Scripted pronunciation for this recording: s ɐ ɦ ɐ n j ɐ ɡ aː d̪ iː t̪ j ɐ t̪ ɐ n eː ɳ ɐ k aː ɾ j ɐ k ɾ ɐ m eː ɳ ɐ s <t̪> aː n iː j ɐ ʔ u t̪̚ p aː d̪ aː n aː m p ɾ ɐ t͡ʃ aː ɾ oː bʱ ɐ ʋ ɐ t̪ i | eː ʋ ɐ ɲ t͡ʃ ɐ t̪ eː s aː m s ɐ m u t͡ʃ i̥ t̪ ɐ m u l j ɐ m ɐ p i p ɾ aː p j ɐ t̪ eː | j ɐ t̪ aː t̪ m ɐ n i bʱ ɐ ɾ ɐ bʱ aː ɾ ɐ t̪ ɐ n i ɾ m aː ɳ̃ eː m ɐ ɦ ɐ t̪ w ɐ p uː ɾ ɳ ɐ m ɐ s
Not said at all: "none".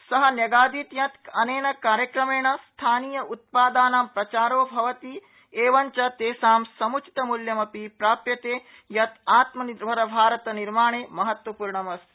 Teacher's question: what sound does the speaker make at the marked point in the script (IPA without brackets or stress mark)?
t̪ʰ